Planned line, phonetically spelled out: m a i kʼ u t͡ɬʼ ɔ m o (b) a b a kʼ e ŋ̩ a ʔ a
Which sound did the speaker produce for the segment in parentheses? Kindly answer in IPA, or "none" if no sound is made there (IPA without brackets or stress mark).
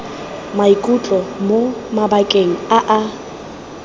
m